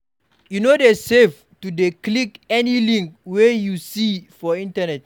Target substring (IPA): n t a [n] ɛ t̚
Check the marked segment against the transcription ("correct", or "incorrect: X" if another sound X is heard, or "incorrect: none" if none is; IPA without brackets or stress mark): correct